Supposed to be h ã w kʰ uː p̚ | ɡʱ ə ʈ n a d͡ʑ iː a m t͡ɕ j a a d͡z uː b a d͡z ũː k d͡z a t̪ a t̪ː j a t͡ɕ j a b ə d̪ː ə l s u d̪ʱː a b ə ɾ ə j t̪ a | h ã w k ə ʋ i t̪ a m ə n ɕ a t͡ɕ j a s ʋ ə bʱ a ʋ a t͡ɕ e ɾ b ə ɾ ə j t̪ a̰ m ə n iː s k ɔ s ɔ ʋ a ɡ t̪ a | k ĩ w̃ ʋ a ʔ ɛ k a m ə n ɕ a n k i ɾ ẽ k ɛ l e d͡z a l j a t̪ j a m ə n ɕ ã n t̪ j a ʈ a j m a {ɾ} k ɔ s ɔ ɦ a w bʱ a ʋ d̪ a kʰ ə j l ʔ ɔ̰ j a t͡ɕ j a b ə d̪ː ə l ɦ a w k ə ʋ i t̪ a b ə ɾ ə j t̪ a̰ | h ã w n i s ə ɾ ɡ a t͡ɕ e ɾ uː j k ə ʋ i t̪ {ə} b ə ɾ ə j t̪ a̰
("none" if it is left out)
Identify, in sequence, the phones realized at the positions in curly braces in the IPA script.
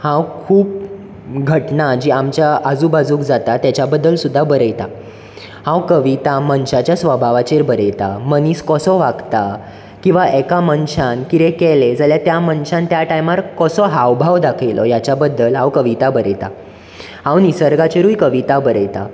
ɾ, a

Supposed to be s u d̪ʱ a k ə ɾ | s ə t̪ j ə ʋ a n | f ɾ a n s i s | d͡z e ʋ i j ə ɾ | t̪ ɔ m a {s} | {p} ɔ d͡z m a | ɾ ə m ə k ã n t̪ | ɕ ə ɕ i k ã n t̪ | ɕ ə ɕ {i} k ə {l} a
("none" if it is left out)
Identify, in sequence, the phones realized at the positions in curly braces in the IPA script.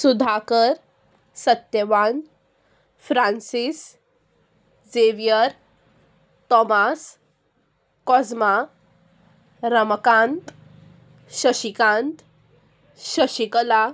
s, k, i, l

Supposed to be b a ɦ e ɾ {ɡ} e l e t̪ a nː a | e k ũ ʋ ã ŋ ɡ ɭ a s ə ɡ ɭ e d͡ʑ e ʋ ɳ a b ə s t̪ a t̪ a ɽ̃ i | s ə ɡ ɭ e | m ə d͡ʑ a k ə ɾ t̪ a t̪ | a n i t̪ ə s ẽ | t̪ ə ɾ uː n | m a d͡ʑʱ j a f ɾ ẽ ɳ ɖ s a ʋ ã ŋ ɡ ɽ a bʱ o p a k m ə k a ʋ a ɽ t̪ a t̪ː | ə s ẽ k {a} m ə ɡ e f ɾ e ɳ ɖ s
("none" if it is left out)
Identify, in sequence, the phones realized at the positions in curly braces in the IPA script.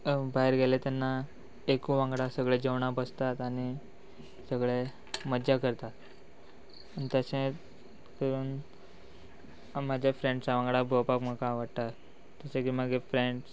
ɡ, i

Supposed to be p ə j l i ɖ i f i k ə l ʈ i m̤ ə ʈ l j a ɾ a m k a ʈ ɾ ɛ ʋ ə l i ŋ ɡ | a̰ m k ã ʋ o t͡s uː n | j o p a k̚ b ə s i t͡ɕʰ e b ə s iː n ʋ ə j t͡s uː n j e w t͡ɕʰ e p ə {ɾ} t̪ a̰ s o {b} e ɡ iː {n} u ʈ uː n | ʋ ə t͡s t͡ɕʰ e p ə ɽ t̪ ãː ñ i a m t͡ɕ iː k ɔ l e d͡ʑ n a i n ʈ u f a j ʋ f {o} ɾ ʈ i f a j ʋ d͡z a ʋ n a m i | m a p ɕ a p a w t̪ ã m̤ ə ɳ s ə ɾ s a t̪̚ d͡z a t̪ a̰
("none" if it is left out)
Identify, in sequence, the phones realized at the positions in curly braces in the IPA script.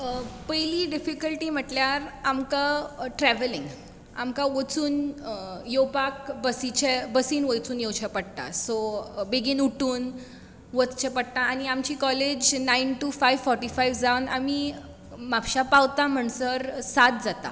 ɽ, b, n, ɔ

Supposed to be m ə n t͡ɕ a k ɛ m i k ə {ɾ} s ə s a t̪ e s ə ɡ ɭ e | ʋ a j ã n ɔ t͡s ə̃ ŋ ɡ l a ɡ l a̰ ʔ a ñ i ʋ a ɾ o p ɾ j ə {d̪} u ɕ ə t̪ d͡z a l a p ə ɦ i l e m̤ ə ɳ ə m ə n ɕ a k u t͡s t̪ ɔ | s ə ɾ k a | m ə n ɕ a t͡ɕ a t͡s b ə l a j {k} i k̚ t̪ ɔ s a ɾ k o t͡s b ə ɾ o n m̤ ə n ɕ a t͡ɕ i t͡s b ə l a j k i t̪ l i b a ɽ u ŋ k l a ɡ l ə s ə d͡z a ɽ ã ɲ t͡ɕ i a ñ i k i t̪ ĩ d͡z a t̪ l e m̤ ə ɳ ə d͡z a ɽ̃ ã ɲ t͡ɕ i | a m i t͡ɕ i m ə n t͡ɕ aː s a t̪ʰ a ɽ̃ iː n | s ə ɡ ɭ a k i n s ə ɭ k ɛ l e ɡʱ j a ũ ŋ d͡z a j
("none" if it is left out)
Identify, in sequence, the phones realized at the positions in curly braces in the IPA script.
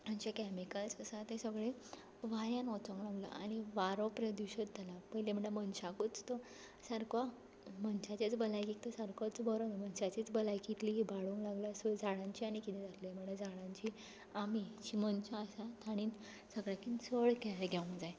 l, d̪, k

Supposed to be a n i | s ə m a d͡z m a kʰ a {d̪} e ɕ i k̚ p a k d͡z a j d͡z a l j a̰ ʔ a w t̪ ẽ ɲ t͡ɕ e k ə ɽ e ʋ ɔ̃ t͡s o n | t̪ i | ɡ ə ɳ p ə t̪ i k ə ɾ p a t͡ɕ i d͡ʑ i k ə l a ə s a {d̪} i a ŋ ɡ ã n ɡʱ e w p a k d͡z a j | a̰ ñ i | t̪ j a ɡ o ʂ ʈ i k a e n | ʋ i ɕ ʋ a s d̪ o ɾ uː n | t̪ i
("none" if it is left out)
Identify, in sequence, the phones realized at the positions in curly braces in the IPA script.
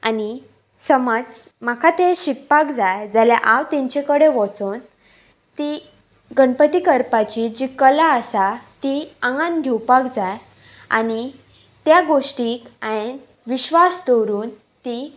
t̪, t̪

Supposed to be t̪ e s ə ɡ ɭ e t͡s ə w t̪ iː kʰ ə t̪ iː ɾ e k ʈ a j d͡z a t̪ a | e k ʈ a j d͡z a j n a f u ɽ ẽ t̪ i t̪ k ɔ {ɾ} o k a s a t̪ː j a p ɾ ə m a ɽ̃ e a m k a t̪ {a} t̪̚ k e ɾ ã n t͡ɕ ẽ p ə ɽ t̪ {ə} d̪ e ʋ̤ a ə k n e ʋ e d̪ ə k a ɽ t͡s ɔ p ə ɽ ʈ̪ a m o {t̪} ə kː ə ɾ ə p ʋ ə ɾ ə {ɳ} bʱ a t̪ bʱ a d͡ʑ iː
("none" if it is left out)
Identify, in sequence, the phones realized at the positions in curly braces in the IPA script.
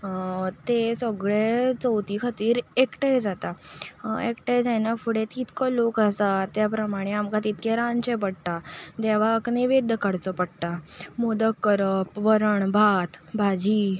l, i, a, d̪, ɳ

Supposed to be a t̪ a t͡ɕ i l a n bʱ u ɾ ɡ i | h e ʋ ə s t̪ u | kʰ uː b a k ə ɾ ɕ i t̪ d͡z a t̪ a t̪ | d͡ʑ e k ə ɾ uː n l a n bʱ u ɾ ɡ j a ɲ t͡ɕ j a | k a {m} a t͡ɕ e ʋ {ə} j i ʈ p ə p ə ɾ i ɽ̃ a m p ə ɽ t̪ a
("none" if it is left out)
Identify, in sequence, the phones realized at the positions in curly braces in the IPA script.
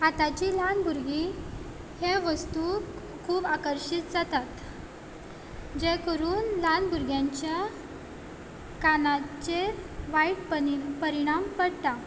n, a

